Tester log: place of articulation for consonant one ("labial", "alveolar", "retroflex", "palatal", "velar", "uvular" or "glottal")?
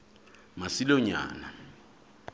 labial